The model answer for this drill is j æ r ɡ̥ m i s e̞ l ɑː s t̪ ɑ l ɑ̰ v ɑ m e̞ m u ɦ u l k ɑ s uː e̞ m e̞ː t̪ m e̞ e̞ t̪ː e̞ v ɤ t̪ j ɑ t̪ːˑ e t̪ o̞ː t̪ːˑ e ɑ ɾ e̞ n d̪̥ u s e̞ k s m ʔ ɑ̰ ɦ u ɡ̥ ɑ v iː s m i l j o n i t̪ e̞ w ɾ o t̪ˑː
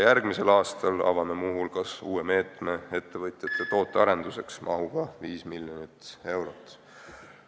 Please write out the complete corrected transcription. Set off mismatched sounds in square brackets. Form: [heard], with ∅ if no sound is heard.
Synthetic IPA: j æ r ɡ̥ m i s e̞ l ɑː s t̪ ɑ l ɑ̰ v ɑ m e̞ m u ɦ u l k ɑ s uː e̞ m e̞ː t̪ m e̞ e̞ t̪ː e̞ v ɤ t̪ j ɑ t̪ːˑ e t̪ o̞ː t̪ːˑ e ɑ ɾ e̞ n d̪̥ u s e̞ k s m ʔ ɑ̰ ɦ u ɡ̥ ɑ v iː s m i l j o n i t̪ e̞ w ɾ o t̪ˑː

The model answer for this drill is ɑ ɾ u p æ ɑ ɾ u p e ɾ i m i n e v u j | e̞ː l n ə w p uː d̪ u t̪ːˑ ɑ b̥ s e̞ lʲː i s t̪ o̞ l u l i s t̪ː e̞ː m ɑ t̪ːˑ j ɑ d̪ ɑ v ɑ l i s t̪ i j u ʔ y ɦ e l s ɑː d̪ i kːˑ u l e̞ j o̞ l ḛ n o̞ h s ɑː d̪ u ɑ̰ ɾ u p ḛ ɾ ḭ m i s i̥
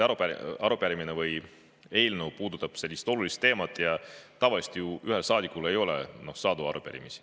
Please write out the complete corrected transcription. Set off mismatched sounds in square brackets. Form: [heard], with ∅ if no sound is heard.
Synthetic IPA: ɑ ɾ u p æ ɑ ɾ u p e ɾ i m i n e v [ɯ] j | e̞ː l n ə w p uː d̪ u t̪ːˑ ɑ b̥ s e̞ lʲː i s t̪ o̞ l u l i s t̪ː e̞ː m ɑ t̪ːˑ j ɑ [t̪] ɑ v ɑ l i s t̪ i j u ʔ y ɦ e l s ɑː d̪ i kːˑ u l e̞ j o̞ l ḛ n o̞ h s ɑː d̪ u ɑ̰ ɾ u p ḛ ɾ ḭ m i s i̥

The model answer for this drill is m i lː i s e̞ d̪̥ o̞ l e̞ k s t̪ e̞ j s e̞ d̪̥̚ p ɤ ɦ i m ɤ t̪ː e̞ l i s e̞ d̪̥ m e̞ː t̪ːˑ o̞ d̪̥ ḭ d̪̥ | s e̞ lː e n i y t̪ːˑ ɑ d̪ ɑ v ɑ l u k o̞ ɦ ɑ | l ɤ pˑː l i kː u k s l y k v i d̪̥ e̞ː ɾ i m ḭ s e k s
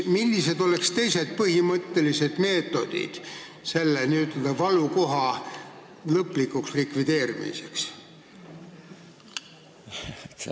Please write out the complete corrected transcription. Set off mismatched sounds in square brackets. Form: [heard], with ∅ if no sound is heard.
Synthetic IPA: m i lː i s e̞ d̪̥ o̞ l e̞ k s t̪ e̞ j s e̞ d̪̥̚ p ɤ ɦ i m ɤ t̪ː e̞ l i s e̞ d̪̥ m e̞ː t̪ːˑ o̞ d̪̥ ḭ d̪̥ | s e̞ lː e n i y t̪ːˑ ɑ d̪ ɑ v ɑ l u k o̞ ɦ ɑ | l ɤ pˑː l i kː u k s l [i] k v i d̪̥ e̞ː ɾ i m ḭ s e k s

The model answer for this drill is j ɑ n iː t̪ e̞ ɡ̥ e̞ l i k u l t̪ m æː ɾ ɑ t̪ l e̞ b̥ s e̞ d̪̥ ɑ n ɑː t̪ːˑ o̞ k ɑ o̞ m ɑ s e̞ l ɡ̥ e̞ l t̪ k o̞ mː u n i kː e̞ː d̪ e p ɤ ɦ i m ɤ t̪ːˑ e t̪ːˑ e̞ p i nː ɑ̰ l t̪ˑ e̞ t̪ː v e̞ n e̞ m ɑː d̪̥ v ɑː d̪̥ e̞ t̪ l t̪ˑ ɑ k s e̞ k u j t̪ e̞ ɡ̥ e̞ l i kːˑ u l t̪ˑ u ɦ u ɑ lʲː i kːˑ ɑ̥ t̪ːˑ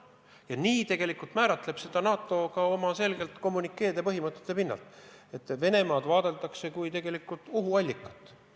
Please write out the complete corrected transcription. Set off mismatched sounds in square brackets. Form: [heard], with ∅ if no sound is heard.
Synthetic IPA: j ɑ n iː t̪ e̞ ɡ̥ e̞ l i k u l t̪ m æː ɾ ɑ t̪ l e̞ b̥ s e̞ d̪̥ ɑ n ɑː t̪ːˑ o̞ k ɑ o̞ m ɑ s e̞ l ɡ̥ e̞ l t̪ k o̞ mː u n i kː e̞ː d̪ e p ɤ ɦ i m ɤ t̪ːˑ e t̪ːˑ e̞ p i nː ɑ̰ l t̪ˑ e̞ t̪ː v e̞ n e̞ m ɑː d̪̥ v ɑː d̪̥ e̞ [∅] l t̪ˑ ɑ k s e̞ k u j t̪ e̞ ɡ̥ e̞ l i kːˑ u l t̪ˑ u ɦ u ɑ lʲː i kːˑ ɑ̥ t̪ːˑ

